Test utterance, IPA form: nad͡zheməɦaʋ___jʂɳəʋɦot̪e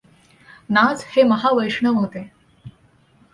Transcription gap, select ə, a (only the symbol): ə